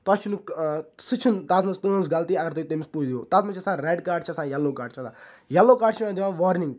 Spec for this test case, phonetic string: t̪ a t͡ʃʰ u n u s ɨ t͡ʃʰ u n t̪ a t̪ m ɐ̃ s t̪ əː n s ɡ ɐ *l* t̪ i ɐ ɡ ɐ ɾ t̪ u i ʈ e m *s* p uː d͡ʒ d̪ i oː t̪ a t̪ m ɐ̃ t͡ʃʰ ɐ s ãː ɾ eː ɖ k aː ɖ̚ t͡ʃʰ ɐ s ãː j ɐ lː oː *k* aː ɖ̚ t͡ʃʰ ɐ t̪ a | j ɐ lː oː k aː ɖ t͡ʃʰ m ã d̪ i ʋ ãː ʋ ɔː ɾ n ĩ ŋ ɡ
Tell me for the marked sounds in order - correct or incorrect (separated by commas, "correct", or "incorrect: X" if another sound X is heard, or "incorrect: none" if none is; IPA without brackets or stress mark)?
correct, correct, correct